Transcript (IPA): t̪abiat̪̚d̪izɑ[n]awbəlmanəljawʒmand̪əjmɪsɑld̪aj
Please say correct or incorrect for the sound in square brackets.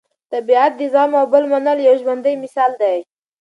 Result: incorrect: m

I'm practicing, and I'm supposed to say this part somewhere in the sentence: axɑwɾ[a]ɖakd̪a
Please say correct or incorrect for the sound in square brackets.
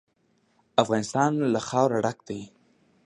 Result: correct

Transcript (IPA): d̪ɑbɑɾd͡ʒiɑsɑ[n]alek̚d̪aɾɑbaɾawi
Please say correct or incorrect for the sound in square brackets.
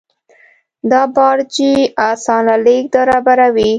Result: correct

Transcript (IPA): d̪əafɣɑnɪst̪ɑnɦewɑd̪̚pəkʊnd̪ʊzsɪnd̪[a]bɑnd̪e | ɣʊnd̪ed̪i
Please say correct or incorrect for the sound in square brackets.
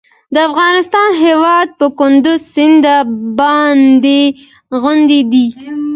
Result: correct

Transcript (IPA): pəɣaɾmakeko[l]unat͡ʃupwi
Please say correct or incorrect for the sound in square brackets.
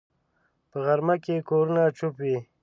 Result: incorrect: ɾ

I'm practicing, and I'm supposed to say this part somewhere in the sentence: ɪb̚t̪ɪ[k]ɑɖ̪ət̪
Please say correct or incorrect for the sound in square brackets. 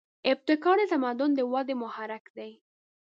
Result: correct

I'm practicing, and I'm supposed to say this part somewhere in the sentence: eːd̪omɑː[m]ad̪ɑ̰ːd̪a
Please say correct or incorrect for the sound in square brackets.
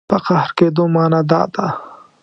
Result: incorrect: n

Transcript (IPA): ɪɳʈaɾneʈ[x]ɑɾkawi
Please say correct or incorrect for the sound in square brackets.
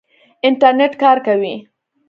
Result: incorrect: k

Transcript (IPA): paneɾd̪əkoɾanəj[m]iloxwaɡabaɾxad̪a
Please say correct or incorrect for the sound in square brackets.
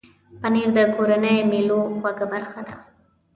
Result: correct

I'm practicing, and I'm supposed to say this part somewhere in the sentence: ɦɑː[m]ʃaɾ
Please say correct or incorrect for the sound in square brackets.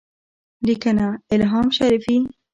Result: correct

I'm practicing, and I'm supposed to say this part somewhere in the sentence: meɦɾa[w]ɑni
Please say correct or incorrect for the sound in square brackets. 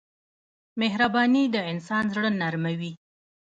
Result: incorrect: b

